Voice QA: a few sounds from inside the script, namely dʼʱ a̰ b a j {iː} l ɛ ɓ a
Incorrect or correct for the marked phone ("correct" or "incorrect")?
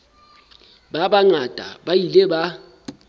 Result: incorrect